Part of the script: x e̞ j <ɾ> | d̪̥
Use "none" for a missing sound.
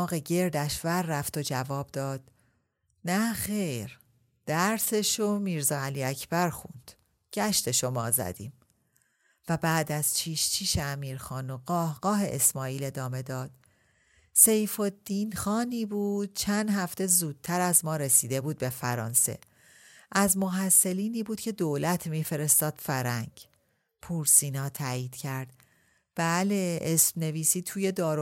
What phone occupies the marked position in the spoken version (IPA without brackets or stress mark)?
ɾ